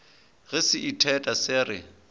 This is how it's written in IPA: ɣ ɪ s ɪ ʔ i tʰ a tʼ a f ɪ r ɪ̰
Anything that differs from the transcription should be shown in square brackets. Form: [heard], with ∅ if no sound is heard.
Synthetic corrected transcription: ɣ ɪ s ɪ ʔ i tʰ [ɛ] tʼ a [s] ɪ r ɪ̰